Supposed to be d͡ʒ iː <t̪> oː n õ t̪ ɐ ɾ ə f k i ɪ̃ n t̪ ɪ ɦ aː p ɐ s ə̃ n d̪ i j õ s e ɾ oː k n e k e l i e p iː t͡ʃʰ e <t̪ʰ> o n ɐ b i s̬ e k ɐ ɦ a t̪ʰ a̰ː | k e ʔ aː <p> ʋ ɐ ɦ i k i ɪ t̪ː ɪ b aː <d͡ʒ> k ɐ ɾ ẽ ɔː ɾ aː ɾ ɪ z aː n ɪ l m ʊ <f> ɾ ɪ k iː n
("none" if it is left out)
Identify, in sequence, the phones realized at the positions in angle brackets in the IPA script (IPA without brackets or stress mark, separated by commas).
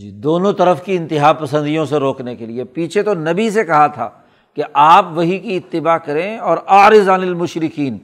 d̪, t̪, p, none, ʃ